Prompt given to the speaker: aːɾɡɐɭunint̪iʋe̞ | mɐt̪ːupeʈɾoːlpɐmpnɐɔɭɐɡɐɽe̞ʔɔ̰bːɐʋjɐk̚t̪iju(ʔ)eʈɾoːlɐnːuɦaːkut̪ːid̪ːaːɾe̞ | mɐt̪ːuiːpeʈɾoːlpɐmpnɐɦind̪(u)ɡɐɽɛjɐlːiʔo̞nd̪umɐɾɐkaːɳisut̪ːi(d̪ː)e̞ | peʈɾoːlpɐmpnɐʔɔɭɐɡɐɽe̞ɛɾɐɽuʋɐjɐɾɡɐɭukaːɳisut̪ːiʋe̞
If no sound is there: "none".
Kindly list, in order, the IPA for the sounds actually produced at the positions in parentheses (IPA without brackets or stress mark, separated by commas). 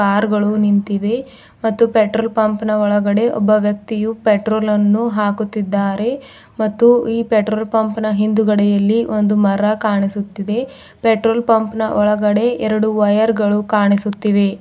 p, u, d̪